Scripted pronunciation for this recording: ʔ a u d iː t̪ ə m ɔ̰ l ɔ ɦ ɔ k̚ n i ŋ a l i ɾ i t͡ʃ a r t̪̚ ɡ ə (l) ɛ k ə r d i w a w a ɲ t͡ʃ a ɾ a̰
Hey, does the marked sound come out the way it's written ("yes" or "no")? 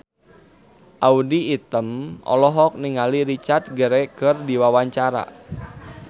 no